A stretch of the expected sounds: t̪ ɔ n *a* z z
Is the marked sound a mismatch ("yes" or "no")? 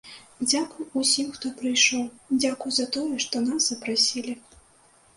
no